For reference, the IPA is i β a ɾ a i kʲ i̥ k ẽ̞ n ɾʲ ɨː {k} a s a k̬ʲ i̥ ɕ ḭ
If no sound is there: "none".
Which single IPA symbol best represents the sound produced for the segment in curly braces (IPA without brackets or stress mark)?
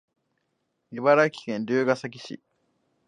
ɡ